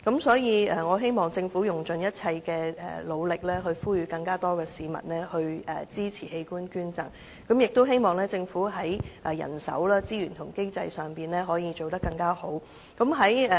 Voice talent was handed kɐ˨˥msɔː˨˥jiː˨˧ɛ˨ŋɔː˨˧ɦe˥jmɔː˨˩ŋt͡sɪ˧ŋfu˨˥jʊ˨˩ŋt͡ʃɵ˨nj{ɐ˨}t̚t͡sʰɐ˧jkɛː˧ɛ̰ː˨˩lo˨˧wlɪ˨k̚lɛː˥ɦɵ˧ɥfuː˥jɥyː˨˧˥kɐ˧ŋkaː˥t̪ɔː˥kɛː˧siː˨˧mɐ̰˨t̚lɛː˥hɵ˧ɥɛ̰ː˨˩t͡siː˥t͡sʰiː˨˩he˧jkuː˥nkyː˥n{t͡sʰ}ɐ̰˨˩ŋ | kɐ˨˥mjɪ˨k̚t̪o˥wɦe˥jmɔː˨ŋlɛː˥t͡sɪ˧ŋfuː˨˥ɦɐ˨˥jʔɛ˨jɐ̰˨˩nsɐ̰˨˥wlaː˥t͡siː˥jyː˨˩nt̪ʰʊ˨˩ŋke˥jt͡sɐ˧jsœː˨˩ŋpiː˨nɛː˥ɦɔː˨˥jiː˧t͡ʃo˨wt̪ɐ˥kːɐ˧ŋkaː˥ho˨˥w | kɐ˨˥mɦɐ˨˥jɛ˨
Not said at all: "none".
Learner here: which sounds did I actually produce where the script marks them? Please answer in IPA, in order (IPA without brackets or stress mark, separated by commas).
ɐ˥, t͡s